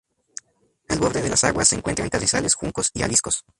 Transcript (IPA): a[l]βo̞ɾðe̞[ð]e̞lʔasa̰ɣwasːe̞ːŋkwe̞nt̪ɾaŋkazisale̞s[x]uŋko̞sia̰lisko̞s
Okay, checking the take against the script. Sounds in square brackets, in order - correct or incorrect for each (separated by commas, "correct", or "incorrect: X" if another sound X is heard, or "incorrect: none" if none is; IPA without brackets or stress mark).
correct, correct, correct